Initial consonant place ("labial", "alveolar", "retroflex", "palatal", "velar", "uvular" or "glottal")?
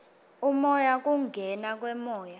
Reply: labial